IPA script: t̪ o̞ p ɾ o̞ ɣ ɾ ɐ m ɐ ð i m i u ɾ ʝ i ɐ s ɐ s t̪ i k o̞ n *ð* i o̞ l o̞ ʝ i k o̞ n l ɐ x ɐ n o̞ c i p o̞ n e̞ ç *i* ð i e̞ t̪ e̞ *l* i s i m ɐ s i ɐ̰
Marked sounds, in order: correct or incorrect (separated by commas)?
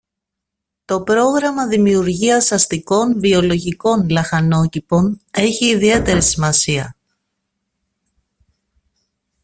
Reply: incorrect, incorrect, incorrect